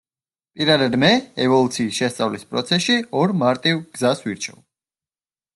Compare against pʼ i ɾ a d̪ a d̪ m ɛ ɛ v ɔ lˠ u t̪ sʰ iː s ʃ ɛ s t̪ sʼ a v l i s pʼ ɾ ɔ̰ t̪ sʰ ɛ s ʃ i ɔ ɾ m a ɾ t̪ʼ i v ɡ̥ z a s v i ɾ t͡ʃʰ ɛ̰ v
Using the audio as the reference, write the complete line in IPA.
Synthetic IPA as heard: pʼ i ɾ a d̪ a d̪ m ɛ ɛ v ɔ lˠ u t̪ sʰ iː s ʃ ɛ s t̪ sʼ a v l i s pʼ ɾ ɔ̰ t̪ sʰ ɛ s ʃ i ɔ ɾ m a ɾ t̪ʼ i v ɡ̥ z a s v i ɾ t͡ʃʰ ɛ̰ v